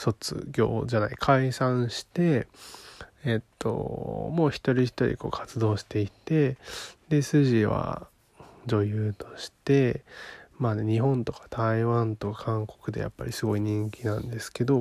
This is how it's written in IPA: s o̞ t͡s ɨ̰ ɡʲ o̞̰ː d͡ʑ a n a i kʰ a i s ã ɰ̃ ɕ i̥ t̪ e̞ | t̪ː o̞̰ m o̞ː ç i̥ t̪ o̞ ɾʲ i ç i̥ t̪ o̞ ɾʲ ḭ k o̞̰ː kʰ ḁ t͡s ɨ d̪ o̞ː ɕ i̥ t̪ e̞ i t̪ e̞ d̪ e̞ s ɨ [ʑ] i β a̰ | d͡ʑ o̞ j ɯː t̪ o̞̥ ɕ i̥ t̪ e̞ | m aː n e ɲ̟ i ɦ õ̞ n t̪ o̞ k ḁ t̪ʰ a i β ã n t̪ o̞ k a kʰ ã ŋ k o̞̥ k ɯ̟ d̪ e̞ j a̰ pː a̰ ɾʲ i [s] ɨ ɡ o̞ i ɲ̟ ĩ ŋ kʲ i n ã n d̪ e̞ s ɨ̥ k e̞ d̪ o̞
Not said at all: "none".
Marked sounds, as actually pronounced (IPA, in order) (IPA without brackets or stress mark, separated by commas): ʑ, s